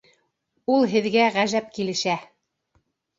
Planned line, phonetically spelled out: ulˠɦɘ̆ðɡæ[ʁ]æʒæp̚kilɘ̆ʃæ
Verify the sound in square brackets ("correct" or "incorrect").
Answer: correct